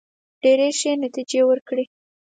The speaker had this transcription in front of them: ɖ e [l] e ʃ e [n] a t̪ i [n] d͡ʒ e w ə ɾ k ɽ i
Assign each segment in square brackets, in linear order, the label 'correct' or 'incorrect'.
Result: incorrect, correct, incorrect

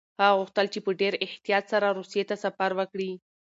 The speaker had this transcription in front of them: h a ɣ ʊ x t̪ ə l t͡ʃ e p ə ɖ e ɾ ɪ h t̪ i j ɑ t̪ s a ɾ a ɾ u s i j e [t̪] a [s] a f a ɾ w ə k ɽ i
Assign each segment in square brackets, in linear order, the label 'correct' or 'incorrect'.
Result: correct, correct

